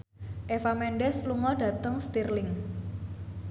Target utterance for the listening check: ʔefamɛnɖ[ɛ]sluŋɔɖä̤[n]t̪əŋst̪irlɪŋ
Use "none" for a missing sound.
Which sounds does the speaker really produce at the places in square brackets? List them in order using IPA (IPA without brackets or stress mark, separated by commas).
ɛ, none